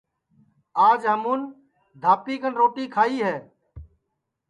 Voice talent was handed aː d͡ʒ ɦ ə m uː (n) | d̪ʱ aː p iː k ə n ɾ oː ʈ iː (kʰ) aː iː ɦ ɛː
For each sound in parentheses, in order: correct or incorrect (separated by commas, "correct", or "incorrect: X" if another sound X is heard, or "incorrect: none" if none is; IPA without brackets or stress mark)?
correct, correct